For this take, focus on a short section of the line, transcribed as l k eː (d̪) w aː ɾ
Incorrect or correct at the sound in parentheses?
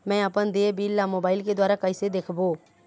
correct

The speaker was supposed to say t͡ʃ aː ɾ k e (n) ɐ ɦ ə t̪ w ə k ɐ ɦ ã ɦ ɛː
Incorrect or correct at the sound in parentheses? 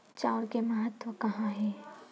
incorrect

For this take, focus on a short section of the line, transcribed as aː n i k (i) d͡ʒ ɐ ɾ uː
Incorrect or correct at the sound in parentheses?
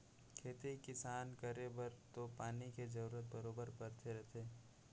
incorrect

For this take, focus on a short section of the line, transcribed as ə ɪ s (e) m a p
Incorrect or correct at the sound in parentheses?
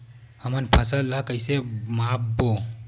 correct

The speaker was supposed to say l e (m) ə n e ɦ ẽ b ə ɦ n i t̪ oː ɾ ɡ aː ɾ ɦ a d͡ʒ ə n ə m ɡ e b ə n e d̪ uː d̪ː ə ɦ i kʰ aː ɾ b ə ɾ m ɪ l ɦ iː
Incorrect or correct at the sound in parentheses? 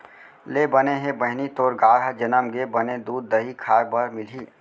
incorrect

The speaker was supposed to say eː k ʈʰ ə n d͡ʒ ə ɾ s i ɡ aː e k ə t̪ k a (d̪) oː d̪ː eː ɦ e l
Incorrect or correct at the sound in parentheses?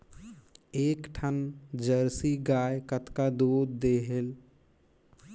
correct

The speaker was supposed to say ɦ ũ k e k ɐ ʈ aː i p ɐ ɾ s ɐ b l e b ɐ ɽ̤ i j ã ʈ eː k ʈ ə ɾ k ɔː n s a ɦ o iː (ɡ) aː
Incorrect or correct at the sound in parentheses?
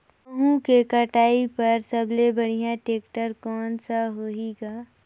correct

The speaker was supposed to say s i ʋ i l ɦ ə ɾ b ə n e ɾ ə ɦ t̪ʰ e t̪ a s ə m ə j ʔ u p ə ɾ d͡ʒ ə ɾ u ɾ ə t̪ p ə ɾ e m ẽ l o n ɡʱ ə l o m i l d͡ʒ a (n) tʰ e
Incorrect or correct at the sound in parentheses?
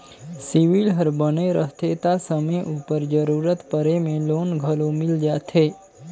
incorrect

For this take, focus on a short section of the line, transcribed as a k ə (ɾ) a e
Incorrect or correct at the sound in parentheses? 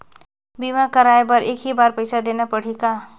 correct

